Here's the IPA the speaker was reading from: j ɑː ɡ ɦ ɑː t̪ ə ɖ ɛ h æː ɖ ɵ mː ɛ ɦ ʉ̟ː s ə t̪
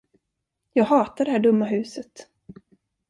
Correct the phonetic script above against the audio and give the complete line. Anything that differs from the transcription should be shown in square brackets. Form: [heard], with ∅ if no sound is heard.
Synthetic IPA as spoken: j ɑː ɡ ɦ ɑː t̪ [a] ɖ ɛ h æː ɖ ɵ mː [a] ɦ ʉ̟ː s ə t̪